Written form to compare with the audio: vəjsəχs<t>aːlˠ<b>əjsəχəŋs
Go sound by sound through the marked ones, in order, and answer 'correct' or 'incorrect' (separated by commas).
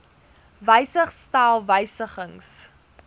correct, incorrect